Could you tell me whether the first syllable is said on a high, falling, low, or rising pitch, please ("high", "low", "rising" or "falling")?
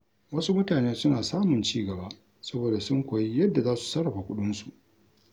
high